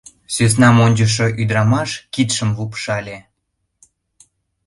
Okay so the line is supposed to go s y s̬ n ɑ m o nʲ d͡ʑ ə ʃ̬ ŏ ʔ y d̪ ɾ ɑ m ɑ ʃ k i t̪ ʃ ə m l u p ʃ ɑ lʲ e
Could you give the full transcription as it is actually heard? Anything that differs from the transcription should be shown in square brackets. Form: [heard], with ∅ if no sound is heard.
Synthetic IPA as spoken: s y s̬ n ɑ m o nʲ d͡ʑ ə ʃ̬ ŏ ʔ y d̪ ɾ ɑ m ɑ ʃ k i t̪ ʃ ə m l u p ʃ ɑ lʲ e